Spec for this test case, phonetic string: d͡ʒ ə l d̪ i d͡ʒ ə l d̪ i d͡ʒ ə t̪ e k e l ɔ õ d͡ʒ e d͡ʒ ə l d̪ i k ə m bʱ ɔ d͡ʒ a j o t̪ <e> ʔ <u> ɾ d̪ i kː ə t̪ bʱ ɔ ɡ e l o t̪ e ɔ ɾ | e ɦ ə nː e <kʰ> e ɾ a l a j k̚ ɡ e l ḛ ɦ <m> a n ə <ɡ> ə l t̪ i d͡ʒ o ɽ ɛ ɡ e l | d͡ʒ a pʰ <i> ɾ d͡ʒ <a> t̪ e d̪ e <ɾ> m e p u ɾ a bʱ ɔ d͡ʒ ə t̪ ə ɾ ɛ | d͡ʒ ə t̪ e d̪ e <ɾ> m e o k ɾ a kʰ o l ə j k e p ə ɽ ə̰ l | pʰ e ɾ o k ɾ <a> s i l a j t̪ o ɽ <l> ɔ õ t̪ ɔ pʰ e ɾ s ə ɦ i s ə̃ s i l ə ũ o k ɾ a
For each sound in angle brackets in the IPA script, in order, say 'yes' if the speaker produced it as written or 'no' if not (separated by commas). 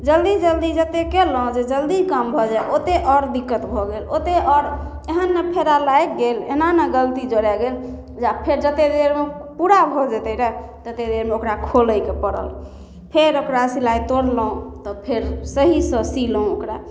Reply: yes, no, no, no, yes, no, no, yes, yes, yes, yes